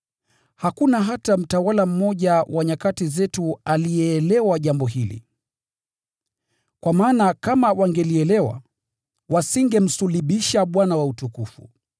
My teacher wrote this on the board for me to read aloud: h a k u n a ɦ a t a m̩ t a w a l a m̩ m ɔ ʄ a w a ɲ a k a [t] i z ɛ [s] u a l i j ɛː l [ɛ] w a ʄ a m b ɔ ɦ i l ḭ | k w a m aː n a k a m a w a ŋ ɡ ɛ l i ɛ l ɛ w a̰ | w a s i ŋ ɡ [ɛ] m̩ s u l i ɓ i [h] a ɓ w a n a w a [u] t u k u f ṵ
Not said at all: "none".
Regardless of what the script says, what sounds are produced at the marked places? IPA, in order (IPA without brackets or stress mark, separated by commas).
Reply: t, t, ɛ, ɛ, ʃ, u